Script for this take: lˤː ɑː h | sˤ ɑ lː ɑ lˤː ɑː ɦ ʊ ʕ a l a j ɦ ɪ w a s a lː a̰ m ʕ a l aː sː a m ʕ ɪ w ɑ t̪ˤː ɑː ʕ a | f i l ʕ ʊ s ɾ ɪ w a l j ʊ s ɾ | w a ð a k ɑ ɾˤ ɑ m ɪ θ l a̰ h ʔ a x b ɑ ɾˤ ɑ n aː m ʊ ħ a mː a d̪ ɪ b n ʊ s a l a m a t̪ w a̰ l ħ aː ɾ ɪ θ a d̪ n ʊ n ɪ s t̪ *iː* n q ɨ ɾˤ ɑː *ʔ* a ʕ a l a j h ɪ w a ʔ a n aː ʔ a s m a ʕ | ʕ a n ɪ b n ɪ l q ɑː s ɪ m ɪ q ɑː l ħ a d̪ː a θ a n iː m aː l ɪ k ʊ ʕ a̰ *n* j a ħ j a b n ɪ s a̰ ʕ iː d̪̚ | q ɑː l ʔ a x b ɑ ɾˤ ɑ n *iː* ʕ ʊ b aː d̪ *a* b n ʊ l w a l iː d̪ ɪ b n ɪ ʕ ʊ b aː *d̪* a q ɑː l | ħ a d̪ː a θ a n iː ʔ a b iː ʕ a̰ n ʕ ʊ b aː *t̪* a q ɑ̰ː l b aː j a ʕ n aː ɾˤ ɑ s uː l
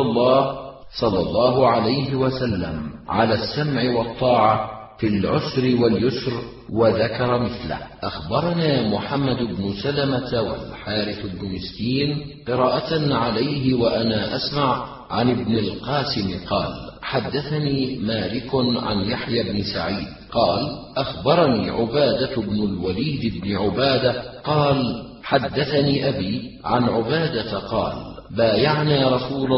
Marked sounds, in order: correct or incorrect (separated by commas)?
correct, correct, correct, correct, correct, correct, incorrect